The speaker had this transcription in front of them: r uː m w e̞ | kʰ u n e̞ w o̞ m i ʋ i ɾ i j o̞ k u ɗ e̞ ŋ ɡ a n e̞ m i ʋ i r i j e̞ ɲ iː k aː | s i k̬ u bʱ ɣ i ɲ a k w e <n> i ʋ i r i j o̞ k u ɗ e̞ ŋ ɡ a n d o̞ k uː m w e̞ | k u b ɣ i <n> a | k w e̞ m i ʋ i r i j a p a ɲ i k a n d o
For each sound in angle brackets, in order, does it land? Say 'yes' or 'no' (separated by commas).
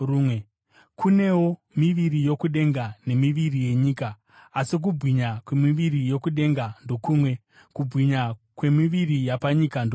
no, no